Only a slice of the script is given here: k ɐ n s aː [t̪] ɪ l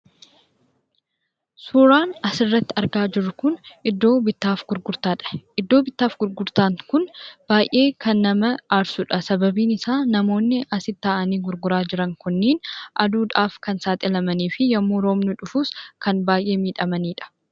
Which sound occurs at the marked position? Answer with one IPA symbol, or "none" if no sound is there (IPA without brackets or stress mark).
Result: t̪ʼ